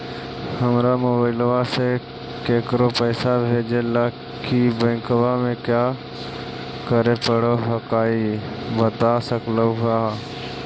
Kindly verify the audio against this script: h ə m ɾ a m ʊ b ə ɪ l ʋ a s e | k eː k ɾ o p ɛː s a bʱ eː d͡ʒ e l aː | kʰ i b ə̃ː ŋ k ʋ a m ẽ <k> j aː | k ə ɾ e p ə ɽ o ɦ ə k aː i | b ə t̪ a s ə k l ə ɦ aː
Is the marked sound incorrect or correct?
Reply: correct